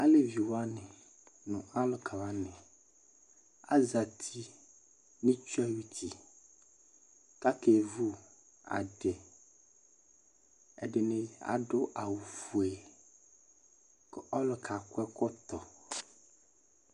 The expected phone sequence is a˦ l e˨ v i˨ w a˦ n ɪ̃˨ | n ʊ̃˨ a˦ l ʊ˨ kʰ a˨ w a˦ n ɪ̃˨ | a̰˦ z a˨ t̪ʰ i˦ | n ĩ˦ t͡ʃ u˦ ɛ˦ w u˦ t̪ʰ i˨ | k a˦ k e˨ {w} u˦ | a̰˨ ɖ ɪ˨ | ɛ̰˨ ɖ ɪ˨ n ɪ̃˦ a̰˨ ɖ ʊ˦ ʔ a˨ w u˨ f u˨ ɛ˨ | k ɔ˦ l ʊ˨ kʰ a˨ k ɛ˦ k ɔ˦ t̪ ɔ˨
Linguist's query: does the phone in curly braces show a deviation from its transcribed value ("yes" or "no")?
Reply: yes